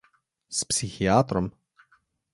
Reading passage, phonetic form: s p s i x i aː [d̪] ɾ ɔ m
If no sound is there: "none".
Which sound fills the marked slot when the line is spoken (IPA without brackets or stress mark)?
t̪